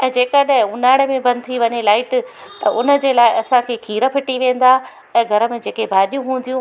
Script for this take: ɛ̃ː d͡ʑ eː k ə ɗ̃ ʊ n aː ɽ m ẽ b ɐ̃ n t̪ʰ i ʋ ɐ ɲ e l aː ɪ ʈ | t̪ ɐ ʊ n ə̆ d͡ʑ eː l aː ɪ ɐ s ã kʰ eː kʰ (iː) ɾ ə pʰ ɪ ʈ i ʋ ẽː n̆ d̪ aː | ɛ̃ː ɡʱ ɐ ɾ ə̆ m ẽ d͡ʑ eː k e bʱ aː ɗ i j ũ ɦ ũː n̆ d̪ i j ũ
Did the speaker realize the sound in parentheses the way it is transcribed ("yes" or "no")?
yes